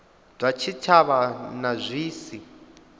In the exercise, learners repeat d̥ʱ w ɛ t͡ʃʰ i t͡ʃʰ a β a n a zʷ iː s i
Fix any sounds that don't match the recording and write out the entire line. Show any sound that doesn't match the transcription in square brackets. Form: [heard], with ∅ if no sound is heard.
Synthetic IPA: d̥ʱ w [a] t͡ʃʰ i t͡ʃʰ a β a n a zʷ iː s i